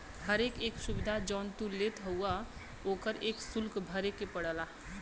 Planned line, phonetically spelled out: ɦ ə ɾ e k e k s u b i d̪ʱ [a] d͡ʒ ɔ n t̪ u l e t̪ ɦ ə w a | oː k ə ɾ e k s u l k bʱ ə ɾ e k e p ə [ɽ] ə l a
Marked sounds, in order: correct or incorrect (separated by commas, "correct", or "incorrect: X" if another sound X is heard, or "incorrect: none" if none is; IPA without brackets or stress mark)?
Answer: correct, correct